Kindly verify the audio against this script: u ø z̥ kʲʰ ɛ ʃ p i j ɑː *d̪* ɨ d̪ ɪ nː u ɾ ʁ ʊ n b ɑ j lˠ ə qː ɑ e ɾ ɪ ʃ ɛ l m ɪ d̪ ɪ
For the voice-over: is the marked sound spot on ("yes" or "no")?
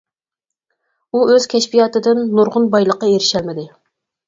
no